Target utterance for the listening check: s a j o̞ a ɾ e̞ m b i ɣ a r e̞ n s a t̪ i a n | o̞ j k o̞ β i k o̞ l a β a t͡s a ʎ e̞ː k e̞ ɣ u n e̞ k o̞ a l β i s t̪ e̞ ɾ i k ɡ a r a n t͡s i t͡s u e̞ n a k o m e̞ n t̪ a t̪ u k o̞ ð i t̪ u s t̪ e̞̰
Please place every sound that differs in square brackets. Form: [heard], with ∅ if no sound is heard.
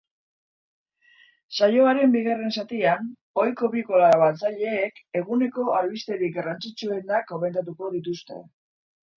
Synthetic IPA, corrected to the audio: s a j o̞ a ɾ e̞ m b i ɣ a r e̞ n s a t̪ i a n | o̞ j k o̞ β i k o̞ l a β a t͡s a ʎ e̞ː k e̞ ɣ u n e̞ k o̞ a l β i s t̪ e̞ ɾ i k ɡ a r a n t͡s i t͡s u e̞ n a k o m e̞ n t̪ a t̪ u k o̞ ð i t̪ u s t̪ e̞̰